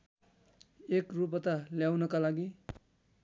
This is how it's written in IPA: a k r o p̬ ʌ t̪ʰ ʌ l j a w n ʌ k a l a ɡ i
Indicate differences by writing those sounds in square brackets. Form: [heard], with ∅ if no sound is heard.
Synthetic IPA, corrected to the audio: [e] k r [u] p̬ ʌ [t̪] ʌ l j a w n ʌ k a l a ɡ i